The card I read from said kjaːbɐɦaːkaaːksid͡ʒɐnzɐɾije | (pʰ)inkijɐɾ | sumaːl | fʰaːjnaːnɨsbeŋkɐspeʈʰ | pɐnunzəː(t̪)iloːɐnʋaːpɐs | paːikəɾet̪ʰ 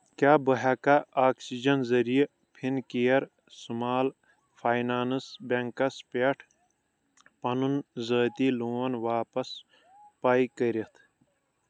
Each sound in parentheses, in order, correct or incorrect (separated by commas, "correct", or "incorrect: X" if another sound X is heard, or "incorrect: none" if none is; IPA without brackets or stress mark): correct, correct